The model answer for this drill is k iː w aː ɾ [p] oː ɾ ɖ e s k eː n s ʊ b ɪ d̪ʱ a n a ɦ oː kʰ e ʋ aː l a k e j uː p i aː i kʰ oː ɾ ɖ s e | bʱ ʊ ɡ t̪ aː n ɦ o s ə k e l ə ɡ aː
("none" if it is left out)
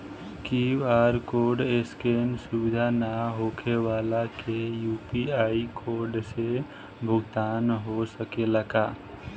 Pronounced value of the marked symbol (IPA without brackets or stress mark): k